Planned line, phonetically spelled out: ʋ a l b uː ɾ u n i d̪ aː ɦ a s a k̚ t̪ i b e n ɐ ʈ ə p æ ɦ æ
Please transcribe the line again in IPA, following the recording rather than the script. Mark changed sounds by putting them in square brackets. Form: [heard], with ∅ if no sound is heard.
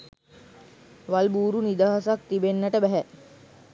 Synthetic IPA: ʋ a l b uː ɾ u n i d̪ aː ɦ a s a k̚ t̪ i b e [nː] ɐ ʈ ə [b] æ ɦ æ